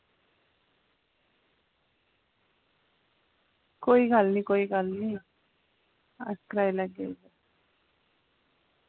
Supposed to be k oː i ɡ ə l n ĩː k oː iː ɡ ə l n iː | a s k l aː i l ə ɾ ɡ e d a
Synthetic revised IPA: k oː i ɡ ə l n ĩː k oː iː ɡ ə l n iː | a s k ɾ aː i l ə ɡ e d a